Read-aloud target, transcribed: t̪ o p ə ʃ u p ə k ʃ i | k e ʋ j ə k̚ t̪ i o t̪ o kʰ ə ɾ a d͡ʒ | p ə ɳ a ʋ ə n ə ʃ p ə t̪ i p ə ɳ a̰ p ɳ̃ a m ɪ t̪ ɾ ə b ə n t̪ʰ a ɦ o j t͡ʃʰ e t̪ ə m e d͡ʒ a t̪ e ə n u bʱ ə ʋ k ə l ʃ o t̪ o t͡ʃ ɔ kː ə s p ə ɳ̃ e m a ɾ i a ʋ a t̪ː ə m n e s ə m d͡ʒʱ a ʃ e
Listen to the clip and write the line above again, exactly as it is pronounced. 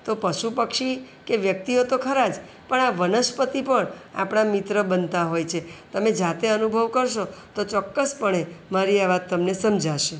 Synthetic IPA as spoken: t̪ o p ə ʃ u p ə k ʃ i | k e ʋ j ə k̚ t̪ i o t̪ o kʰ ə ɾ a d͡ʒ | p ə ɳ a ʋ ə n ə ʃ p ə t̪ i p ə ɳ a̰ p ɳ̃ a m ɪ t̪ ɾ ə b ə n t̪ a ɦ o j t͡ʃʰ e t̪ ə m e d͡ʒ a t̪ e ə n u bʱ ə ʋ k ə ɾ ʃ o t̪ o t͡ʃ ɔ kː ə s p ə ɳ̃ e m a ɾ i a ʋ a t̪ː ə m n e s ə m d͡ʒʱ a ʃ e